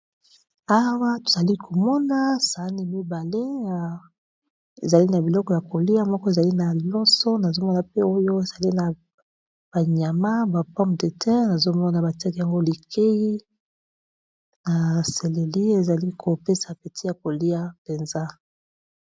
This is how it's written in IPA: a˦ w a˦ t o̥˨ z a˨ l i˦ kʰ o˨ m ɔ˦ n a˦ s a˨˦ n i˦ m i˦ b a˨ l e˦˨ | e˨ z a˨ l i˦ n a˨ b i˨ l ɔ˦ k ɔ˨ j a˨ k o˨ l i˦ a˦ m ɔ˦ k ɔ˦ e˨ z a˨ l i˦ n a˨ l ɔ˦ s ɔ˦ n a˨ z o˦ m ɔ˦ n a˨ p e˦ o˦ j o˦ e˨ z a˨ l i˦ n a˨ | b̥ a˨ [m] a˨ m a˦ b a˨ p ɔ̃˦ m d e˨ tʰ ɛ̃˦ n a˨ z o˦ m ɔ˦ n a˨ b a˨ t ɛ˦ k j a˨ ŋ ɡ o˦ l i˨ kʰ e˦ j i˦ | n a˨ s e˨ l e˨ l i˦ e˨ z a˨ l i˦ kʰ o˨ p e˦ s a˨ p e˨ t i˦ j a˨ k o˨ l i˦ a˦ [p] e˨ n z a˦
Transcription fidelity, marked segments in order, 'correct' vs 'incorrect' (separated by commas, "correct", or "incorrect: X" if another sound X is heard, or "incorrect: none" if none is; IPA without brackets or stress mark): incorrect: ɲ, correct